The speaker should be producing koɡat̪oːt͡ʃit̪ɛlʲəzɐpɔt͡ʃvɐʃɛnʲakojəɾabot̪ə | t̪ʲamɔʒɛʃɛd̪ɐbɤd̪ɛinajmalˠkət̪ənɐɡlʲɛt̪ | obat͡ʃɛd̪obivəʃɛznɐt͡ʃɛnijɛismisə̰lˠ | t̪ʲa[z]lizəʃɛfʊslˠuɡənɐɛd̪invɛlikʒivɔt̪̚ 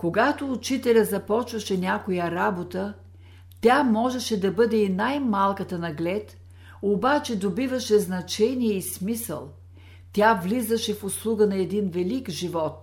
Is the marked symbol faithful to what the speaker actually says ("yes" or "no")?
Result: no